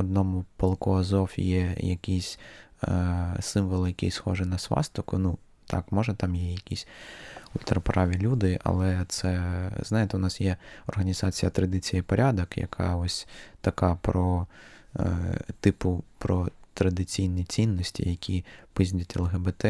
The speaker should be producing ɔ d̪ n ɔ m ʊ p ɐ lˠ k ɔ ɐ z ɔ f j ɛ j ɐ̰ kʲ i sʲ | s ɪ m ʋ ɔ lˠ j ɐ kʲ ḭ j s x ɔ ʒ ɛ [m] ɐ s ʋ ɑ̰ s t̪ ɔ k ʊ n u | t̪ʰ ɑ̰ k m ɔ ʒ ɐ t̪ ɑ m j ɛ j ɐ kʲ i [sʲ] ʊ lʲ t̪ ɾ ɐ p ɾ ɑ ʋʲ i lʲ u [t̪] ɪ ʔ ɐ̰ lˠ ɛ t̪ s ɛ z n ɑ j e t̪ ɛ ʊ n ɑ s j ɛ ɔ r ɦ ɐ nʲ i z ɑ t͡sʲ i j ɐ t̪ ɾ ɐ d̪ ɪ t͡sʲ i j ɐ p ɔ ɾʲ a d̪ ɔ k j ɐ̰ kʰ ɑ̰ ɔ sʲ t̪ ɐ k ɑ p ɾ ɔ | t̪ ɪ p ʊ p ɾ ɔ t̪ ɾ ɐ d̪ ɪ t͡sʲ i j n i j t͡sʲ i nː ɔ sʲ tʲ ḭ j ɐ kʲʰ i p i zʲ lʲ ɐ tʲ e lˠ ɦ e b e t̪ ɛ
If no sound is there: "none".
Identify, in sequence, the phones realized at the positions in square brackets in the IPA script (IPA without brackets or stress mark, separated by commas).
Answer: n, sʲ, d̪